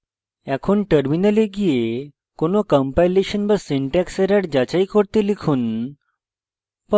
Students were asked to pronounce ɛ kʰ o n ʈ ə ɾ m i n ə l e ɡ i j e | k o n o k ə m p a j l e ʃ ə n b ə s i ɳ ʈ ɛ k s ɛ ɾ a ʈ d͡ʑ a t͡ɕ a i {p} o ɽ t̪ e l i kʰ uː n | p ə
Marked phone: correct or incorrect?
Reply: incorrect